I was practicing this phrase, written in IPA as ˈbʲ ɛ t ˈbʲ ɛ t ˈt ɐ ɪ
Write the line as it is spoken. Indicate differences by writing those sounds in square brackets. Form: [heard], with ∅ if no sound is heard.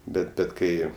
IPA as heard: ˈbʲ ɛ t ˈbʲ ɛ t [ˈk] ɐ ɪ

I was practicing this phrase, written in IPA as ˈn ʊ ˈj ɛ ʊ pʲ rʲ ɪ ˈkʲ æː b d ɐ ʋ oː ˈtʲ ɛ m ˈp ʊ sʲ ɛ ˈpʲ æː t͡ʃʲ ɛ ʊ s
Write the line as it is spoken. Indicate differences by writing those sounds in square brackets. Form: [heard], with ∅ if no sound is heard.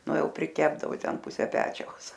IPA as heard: ˈn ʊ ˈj ɛ ʊ pʲ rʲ ɪ ˈkʲ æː b d ɐ ʋ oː ˈtʲ ɛ [n] ˈp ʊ sʲ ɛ ˈpʲ æː t͡ʃʲ ɛ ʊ s

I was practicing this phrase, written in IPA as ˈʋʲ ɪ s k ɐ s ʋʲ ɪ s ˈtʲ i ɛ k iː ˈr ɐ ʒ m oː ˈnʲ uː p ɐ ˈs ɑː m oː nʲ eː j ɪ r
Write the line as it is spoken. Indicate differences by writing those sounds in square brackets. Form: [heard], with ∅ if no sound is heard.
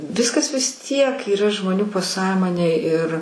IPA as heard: ˈʋʲ ɪ s k ɐ s ʋʲ ɪ s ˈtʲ i ɛ k iː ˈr ɐ ʒ m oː ˈnʲ uː p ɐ ˈs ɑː m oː nʲ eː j ɪ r

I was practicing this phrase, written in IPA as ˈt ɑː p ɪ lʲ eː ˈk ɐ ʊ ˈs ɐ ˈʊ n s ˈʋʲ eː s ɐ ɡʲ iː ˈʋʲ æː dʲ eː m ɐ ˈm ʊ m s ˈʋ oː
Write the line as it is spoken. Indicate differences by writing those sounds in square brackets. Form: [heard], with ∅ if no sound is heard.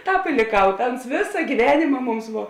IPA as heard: ˈt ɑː p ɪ lʲ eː ˈk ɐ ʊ [ˈt] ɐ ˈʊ n s ˈʋʲ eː s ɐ ɡʲ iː ˈʋʲ æː [nʲ] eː m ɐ ˈm ʊ m s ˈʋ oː

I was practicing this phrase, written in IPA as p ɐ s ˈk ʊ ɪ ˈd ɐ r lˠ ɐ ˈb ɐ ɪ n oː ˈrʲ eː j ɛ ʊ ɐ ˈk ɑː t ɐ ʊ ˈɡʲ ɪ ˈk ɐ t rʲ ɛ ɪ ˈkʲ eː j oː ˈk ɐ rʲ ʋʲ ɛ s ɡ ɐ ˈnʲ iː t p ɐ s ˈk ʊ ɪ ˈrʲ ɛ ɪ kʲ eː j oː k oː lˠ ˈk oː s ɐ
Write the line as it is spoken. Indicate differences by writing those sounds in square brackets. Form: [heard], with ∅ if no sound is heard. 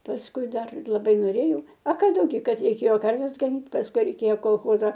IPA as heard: p ɐ s ˈk ʊ ɪ ˈd ɐ r lˠ ɐ ˈb ɐ ɪ n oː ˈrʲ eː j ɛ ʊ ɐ ˈk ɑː [d] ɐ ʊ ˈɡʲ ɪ ˈk ɐ t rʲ ɛ ɪ ˈkʲ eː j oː ˈk ɐ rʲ ʋʲ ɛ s ɡ ɐ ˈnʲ iː t p ɐ s ˈk ʊ ɪ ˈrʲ ɛ ɪ kʲ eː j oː k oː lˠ [ˈx] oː [z] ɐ

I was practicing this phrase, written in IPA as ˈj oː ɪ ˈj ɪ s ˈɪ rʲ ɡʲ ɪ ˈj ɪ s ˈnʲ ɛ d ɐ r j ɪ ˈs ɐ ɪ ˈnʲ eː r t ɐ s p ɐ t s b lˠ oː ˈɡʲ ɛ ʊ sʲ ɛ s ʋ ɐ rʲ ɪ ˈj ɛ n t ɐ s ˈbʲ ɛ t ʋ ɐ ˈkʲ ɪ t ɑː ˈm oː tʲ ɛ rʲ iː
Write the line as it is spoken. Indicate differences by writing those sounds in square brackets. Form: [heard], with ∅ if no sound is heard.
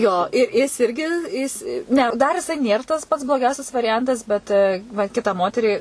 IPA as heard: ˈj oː ɪ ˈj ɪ s ˈɪ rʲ ɡʲ ɪ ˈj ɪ s ˈnʲ ɛ d ɐ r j ɪ ˈs ɐ ɪ ˈnʲ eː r t ɐ s p ɐ t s b lˠ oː ˈɡʲ ɛ ʊ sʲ ɛ s ʋ ɐ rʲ ɪ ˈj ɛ n t ɐ s ˈbʲ ɛ t ʋ ɐ ˈkʲ ɪ t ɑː ˈm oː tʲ ɛ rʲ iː

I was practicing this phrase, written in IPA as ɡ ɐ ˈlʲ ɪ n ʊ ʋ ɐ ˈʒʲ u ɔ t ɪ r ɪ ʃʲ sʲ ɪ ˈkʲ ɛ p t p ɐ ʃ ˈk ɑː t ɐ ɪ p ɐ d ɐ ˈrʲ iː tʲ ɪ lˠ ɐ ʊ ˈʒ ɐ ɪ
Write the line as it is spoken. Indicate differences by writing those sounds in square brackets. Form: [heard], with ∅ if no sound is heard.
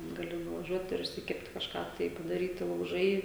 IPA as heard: ɡ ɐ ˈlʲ ɪ n ʊ ʋ ɐ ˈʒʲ u ɔ t ɪ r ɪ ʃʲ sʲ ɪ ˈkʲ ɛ p t [k] ɐ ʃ ˈk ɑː t ɐ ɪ p ɐ d ɐ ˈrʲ iː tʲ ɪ lˠ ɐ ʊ ˈʒ ɐ ɪ

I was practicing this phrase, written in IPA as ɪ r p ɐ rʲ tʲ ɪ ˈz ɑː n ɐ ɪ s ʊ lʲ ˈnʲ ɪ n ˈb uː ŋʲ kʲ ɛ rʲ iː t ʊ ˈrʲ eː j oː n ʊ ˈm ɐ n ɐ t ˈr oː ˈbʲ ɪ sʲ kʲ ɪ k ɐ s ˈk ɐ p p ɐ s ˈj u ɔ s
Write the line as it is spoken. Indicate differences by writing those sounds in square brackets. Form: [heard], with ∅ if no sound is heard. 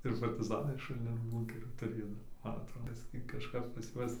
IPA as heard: ɪ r p ɐ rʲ tʲ ɪ ˈz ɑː n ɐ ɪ [ʃ] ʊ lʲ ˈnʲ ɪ n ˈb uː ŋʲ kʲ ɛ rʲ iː t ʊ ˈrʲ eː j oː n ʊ ˈm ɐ n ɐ t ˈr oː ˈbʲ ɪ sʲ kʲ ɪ k ɐ [ʃ] ˈk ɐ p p ɐ s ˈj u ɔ s

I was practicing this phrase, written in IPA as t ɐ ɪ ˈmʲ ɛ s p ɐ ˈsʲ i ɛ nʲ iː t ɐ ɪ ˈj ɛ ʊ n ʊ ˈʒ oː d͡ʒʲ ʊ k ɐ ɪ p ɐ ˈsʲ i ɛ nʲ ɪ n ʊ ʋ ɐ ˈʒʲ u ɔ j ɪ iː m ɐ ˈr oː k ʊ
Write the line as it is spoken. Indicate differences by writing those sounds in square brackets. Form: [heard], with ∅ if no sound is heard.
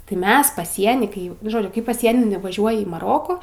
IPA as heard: t ɐ ɪ ˈmʲ ɛ s p ɐ ˈsʲ i ɛ nʲ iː [k] ɐ ɪ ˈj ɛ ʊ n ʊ ˈʒ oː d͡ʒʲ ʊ k ɐ ɪ p ɐ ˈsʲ i ɛ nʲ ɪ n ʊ ʋ ɐ ˈʒʲ u ɔ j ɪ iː m ɐ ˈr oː k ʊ

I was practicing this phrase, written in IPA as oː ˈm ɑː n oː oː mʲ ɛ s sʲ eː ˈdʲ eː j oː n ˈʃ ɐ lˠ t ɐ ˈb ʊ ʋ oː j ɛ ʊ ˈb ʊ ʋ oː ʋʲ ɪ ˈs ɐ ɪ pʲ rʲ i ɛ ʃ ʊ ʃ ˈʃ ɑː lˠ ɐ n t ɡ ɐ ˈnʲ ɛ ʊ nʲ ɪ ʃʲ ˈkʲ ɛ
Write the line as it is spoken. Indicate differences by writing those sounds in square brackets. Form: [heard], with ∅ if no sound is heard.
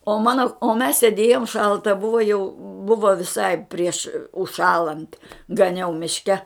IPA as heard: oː ˈm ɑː n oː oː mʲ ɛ s sʲ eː ˈdʲ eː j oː [m] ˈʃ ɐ lˠ t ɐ ˈb ʊ ʋ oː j ɛ ʊ ˈb ʊ ʋ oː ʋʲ ɪ ˈs ɐ ɪ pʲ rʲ i ɛ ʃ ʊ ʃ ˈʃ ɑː lˠ ɐ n t ɡ ɐ ˈnʲ ɛ ʊ [mʲ] ɪ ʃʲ ˈkʲ ɛ

